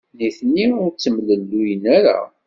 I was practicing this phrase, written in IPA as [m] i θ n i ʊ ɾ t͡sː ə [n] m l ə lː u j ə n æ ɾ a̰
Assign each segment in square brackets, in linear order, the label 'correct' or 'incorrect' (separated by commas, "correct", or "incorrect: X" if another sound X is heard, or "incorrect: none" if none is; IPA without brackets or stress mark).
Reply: incorrect: n, incorrect: none